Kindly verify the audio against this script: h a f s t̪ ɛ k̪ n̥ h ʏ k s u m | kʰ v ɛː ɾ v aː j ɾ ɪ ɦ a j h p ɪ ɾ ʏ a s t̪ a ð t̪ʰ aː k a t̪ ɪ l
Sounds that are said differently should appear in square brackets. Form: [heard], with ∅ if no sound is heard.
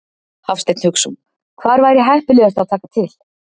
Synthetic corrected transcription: h a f s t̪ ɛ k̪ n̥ h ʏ k s u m | kʰ v [aː] ɾ v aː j ɾ ɪ ɦ a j h p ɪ [l] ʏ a s t̪ a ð t̪ʰ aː k a [t̪ʰ] ɪ l